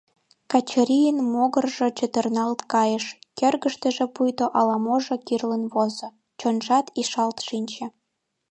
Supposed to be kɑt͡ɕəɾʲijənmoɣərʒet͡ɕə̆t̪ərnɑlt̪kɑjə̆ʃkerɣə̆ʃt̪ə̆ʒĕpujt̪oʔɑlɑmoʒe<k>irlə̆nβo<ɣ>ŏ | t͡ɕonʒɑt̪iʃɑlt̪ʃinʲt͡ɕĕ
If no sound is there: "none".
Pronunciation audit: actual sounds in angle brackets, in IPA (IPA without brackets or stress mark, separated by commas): k, z